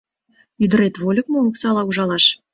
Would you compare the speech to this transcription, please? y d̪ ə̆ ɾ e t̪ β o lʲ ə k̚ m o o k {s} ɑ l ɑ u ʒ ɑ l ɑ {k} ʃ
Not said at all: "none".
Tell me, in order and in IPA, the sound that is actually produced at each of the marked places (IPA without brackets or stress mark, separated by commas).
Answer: s, none